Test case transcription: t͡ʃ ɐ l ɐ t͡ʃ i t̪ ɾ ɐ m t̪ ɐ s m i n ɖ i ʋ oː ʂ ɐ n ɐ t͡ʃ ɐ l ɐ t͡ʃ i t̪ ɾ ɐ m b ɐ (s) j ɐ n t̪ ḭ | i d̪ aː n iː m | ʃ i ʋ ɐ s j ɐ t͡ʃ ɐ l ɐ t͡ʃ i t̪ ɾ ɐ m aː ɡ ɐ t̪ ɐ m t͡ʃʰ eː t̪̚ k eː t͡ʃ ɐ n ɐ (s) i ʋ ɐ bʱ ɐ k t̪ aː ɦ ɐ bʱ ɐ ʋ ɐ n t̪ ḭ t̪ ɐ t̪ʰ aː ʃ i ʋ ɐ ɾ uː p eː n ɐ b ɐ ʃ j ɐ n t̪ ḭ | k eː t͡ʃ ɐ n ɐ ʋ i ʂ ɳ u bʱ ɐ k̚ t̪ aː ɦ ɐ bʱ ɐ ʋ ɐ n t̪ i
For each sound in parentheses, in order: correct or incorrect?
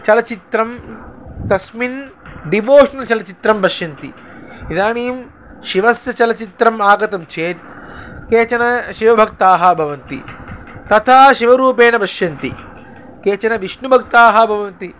incorrect: ʃ, incorrect: ʃ

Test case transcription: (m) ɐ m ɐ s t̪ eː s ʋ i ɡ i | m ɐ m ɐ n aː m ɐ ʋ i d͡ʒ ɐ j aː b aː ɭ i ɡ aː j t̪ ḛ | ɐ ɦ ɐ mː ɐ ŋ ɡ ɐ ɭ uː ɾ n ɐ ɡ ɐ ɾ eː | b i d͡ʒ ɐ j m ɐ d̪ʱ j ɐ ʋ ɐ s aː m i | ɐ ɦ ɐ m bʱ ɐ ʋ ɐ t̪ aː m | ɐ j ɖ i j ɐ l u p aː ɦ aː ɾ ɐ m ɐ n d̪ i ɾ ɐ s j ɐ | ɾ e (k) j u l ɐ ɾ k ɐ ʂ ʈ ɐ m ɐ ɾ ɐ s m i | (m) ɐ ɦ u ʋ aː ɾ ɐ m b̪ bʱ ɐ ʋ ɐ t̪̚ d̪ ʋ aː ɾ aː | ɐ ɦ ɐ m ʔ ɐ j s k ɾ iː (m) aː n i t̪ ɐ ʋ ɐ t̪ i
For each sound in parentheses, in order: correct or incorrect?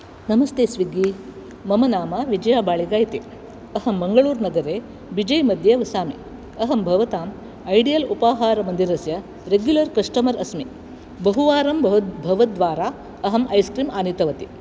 incorrect: n, incorrect: ɡ, incorrect: b, correct

